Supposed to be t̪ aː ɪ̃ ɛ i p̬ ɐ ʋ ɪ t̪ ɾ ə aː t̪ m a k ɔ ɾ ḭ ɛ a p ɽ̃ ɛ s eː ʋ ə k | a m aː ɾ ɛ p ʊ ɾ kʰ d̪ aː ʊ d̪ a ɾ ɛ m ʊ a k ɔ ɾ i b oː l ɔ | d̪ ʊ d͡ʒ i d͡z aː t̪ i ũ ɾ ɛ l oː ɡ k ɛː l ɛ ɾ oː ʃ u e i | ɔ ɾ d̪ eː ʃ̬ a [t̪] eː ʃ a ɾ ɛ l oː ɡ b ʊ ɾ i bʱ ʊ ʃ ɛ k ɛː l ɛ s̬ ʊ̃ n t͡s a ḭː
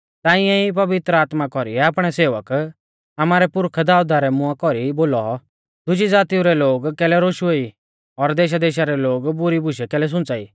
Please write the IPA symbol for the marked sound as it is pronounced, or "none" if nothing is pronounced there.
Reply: d̪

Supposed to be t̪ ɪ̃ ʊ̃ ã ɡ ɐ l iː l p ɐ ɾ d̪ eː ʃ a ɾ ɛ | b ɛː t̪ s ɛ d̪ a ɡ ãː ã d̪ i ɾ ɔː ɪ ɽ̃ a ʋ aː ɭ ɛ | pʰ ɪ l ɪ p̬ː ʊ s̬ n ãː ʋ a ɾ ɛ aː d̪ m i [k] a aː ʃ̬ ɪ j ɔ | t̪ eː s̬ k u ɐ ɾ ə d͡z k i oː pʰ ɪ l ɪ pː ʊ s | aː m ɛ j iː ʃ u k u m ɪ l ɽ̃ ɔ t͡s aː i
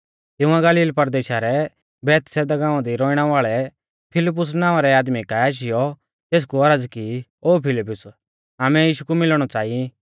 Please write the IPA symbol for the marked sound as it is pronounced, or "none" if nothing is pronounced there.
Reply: k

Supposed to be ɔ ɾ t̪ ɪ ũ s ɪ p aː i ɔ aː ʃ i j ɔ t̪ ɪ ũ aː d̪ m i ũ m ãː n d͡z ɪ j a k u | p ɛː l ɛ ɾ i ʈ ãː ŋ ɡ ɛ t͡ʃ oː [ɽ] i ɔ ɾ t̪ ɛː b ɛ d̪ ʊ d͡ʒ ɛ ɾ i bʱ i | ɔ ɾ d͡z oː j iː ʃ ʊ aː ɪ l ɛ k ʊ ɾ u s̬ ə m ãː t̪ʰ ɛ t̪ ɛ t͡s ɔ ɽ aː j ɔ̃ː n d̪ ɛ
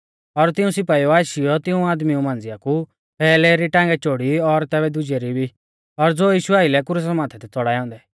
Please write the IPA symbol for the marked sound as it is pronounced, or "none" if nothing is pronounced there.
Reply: ɽ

